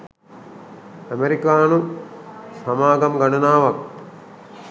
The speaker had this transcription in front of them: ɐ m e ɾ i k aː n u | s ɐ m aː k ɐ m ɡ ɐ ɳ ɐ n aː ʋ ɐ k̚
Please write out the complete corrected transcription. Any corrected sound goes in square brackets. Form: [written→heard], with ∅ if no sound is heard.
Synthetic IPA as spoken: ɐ m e ɾ i k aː n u | s ɐ m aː [k→ɡ] ɐ m ɡ ɐ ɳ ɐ n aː ʋ ɐ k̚